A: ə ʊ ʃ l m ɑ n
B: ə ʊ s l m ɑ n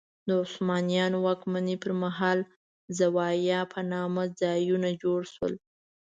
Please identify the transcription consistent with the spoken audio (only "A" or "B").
B